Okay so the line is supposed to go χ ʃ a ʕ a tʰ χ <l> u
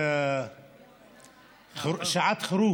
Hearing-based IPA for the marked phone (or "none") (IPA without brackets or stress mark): ɾ